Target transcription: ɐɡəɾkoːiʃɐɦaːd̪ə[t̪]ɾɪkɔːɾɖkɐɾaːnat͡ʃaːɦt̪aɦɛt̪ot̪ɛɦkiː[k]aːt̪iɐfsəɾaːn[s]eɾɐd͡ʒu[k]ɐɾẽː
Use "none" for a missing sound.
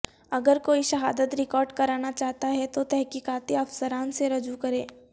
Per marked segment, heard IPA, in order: t̪, k, s, k

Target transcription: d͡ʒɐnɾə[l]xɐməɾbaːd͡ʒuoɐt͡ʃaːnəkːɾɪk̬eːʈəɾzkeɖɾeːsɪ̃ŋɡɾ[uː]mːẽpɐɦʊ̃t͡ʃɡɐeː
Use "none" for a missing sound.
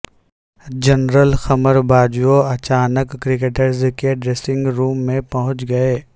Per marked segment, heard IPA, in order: l, uː

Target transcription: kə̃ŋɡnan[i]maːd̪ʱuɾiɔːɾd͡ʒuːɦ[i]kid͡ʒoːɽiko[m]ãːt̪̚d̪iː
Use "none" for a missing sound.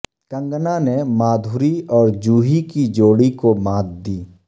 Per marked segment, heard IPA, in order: e, i, m

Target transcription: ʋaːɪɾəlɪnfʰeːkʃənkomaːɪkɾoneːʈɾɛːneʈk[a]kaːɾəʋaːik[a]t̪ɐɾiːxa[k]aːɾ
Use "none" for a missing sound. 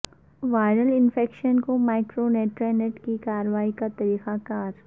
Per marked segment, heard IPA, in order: i, a, k

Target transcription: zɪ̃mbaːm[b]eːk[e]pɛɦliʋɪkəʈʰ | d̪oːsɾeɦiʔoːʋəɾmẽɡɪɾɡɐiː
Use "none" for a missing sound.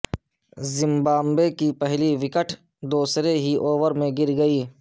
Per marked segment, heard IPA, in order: b, i

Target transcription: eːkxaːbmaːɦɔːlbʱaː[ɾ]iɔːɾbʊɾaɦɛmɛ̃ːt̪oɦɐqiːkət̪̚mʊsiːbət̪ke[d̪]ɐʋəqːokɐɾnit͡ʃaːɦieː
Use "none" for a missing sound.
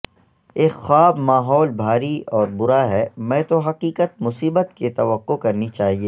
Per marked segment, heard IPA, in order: ɾ, t̪

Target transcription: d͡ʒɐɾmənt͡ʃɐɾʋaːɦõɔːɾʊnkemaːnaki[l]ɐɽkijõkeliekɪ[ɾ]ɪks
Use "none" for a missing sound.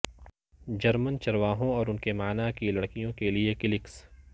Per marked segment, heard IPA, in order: l, l

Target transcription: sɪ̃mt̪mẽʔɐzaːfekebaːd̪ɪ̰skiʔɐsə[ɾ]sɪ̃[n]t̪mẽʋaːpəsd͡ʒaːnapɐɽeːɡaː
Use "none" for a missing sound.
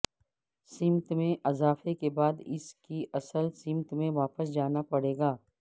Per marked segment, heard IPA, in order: l, m

